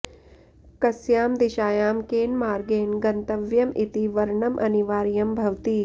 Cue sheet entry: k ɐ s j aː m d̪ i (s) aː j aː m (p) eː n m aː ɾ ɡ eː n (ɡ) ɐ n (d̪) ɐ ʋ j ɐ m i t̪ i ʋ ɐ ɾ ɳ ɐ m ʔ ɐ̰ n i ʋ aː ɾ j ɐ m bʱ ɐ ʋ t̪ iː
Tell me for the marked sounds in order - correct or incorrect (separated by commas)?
incorrect, incorrect, correct, incorrect